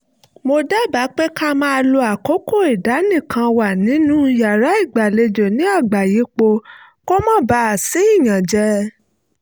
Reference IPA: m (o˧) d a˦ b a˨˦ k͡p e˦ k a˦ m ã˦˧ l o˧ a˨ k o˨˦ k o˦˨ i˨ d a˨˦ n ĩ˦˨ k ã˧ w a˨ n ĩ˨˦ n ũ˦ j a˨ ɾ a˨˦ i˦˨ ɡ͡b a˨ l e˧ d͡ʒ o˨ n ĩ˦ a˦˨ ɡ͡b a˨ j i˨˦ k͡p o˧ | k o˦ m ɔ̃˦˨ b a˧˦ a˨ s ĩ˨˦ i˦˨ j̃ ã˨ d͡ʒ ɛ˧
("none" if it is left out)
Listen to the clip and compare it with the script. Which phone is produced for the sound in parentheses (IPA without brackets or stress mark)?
o˧